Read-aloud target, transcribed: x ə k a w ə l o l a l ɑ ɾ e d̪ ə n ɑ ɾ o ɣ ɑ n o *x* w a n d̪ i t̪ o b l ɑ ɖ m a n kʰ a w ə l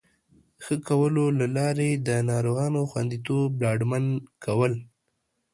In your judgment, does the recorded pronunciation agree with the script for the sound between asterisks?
yes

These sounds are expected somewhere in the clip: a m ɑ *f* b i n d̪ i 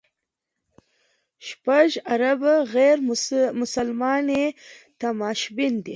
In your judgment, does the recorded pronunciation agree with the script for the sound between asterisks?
no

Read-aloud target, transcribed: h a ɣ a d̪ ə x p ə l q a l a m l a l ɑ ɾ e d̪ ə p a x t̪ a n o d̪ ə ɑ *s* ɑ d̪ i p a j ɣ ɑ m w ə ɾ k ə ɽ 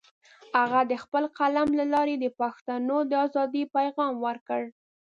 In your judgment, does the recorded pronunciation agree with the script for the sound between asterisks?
no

